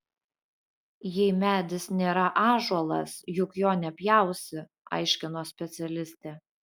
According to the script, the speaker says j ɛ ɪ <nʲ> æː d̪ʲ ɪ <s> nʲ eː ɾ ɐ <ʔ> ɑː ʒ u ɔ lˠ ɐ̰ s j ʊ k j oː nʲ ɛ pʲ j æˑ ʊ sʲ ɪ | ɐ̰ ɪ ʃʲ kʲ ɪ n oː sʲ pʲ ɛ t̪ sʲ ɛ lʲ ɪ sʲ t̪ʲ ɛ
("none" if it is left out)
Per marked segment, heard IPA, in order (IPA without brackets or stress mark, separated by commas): mʲ, s, ʔ